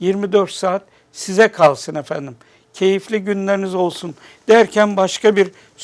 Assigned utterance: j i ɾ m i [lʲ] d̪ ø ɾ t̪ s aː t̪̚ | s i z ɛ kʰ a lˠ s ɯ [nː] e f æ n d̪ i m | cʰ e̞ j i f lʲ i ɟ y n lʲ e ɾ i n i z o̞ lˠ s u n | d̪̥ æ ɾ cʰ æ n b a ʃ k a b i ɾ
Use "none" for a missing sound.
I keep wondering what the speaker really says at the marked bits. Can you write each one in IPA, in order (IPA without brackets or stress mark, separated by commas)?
none, n